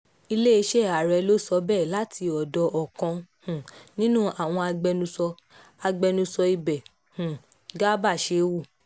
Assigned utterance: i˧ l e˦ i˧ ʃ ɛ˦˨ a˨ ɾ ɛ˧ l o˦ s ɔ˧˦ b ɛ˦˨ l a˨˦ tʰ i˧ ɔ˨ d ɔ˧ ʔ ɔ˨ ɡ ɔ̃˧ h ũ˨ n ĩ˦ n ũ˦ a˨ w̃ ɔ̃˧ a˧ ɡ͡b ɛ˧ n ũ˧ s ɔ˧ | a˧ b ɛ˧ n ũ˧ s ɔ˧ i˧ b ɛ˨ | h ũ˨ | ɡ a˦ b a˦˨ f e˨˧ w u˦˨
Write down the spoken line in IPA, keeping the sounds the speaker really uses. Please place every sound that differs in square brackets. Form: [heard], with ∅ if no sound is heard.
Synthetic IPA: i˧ l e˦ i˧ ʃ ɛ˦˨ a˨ ɾ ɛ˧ l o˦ s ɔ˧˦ b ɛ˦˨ l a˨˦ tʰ i˧ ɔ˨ d ɔ˧ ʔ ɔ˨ [k] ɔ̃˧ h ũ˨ n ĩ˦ n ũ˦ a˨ w̃ ɔ̃˧ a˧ ɡ͡b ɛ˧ n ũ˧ s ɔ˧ | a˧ [ɡ͡b] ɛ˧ n ũ˧ s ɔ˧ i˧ b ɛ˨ | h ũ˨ | ɡ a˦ b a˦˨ [ʃ] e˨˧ w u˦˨